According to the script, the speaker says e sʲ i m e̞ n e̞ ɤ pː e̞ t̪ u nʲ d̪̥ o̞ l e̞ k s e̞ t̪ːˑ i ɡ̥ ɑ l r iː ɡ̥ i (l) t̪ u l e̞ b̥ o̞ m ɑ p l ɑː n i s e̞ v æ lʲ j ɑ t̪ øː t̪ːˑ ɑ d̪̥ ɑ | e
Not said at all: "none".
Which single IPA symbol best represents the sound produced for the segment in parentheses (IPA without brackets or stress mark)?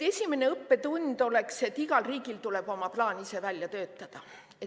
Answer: l